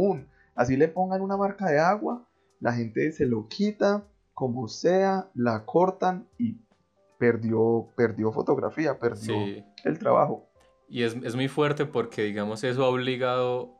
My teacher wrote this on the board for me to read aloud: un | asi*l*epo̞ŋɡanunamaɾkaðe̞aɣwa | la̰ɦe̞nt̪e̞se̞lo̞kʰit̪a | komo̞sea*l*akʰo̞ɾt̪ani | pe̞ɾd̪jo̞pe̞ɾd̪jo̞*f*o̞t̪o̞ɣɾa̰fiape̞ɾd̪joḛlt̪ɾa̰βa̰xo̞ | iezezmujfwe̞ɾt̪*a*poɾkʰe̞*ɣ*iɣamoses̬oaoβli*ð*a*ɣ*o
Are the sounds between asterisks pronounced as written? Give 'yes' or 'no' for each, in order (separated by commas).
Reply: yes, yes, yes, no, no, no, no